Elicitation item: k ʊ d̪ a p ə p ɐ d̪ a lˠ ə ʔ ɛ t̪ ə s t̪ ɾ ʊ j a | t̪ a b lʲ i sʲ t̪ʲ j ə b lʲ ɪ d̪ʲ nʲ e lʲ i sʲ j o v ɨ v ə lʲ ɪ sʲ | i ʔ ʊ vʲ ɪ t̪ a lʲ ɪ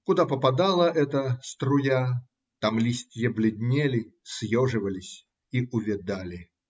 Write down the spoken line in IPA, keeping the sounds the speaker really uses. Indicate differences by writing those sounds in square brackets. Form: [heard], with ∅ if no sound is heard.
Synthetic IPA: k ʊ d̪ a p ə p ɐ d̪ a lˠ ə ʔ ɛ t̪ ə s t̪ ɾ ʊ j a | t̪ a [m] lʲ i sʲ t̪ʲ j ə b lʲ ɪ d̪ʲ nʲ e lʲ [ɪ] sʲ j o [ʐ] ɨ v ə lʲ ɪ sʲ | i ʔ ʊ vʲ ɪ [d̪] a lʲ ɪ